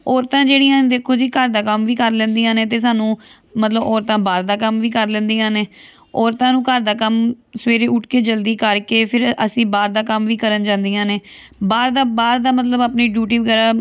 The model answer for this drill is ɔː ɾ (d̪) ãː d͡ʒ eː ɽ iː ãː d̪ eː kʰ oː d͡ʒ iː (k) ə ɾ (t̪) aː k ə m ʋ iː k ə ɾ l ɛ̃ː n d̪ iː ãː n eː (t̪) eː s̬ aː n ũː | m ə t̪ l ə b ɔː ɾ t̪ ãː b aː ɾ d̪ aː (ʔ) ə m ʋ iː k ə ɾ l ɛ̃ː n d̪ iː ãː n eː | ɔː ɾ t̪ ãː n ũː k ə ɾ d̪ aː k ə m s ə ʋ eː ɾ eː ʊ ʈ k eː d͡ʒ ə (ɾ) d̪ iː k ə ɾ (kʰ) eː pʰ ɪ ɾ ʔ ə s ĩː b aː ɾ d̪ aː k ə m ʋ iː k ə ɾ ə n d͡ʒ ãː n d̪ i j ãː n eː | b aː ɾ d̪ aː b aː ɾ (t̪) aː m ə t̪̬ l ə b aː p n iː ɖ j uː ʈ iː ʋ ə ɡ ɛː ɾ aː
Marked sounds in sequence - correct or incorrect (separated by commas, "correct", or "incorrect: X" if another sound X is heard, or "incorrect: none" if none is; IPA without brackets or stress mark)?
incorrect: t̪, correct, incorrect: d̪, correct, incorrect: k, incorrect: l, incorrect: k, incorrect: d̪